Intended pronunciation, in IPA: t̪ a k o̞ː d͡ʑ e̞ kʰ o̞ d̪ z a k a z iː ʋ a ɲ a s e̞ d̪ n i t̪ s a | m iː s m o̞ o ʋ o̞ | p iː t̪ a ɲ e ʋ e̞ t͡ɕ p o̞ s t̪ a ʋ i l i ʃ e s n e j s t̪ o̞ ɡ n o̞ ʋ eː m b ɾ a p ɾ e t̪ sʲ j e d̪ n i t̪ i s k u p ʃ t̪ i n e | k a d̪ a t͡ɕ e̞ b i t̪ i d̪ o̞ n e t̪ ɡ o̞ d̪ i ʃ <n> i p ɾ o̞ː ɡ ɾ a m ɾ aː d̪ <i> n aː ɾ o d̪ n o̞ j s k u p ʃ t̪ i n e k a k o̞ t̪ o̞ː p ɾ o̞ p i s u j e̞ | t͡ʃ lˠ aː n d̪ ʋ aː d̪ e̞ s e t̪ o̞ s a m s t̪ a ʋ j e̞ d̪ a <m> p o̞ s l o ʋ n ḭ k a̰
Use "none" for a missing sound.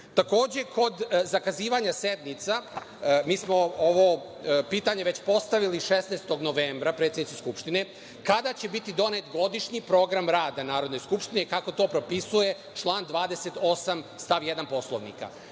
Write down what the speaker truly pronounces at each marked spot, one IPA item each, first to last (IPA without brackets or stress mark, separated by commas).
ɲ, a, n